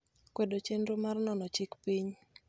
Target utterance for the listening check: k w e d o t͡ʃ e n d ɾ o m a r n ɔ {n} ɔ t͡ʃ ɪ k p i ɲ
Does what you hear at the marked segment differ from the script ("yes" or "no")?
no